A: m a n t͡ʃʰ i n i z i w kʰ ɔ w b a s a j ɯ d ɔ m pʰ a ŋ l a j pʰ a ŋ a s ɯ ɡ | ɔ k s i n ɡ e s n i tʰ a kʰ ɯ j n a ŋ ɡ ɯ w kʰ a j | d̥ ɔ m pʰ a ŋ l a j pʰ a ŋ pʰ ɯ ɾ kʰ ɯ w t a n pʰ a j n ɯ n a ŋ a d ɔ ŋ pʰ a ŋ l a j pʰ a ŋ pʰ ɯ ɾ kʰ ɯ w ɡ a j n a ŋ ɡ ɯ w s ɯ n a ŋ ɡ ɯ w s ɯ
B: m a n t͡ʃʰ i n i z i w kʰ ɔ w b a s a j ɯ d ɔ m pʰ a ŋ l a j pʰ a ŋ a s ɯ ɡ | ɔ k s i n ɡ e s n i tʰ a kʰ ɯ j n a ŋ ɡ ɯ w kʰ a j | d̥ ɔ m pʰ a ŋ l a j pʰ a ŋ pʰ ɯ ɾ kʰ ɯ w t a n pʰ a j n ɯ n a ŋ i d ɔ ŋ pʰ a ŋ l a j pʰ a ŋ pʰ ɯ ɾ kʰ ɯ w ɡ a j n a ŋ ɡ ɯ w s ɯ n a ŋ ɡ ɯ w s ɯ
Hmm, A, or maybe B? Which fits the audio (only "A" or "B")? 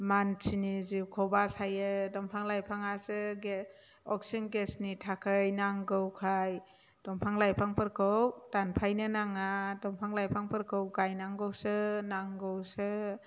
A